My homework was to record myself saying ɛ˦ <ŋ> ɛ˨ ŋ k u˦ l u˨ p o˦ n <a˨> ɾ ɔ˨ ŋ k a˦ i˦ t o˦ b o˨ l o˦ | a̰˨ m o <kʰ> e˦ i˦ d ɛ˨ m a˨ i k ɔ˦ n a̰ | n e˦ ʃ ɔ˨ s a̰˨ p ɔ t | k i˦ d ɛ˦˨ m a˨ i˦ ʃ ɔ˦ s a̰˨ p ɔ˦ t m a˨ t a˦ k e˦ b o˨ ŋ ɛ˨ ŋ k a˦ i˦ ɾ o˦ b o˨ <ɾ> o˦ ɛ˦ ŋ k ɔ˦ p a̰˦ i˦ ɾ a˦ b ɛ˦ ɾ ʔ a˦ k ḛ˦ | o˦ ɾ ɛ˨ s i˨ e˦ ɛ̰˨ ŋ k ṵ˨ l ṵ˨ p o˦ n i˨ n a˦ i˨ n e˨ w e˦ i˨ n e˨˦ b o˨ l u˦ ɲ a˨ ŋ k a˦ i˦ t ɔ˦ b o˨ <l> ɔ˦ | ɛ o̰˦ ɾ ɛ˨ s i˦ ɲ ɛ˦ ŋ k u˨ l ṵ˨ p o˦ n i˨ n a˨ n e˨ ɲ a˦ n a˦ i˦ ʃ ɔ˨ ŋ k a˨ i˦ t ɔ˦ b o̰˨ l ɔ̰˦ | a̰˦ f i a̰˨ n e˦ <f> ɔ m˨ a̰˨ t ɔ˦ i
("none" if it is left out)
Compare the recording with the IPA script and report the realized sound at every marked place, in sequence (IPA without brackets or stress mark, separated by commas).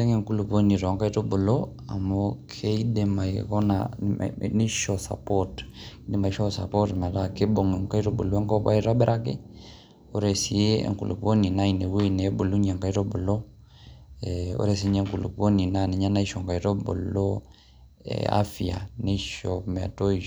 ŋ, i˨, kʰ, l, l, ʃ